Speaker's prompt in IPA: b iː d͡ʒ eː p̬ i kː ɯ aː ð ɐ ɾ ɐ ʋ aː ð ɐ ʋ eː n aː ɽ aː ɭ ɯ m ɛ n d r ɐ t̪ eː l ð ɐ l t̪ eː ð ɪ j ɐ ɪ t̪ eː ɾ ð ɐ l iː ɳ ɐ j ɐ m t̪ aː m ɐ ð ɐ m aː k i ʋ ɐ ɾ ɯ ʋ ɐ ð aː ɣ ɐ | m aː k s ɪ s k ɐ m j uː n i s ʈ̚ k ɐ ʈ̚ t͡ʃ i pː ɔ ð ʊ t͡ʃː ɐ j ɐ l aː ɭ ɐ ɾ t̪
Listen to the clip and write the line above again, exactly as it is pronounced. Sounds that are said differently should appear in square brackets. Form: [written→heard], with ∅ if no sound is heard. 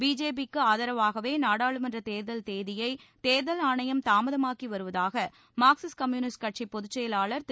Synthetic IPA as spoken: b iː d͡ʒ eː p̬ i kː ɯ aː ð ɐ ɾ ɐ ʋ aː [ð→ɣ] ɐ ʋ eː n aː ɽ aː ɭ ɯ m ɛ n d r ɐ t̪ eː [l→ɾ] ð ɐ l t̪ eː ð ɪ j ɐ ɪ t̪ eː ɾ ð ɐ l [iː→aː] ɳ ɐ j ɐ m t̪ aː m ɐ ð ɐ m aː k i ʋ ɐ ɾ ɯ ʋ ɐ ð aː ɣ ɐ | m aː k s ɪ s k ɐ m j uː n [i→ɪ] s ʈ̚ k ɐ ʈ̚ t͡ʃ i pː ɔ ð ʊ t͡ʃː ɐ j ɐ l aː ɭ ɐ ɾ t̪